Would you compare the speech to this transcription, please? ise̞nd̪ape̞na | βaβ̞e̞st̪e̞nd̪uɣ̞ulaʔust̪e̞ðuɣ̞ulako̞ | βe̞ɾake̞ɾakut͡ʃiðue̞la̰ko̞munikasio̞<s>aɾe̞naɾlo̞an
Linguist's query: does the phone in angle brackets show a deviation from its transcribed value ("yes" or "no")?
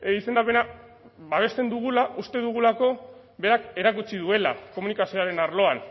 yes